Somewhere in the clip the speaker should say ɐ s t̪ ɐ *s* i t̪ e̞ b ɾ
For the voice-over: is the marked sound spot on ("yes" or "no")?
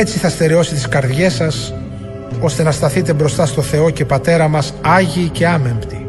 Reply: no